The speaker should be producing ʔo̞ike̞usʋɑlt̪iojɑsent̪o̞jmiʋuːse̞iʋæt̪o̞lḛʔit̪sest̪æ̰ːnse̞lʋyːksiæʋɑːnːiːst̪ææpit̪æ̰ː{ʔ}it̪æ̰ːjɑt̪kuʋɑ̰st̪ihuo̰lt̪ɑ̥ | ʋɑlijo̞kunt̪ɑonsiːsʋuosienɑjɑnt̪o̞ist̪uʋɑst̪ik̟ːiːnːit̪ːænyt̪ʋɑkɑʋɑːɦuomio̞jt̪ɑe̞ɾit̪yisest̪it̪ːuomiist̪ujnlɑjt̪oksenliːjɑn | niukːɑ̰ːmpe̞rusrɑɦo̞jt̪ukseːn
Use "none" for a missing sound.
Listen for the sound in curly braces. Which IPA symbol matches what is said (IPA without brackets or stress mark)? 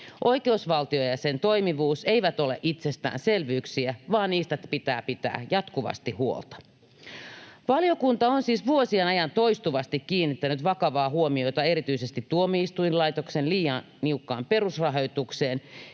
p